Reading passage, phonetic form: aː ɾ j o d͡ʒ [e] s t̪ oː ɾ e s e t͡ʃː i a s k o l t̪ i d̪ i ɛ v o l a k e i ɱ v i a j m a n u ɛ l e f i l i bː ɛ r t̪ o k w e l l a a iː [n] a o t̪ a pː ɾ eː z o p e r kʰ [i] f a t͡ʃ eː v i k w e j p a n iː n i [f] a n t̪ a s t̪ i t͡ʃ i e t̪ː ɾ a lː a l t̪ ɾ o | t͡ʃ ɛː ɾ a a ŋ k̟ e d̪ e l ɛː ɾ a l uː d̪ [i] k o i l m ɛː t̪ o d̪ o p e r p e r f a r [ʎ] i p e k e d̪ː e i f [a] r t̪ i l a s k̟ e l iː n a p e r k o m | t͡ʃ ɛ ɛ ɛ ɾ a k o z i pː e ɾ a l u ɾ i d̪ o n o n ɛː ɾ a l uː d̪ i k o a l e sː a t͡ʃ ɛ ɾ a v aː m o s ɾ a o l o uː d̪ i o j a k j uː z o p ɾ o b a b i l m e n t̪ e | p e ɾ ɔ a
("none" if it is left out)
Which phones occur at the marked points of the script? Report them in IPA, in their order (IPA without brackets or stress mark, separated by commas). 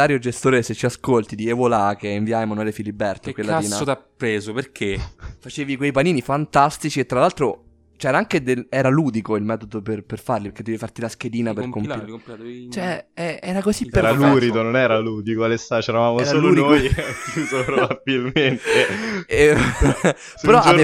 e, n, e, f, i, l, a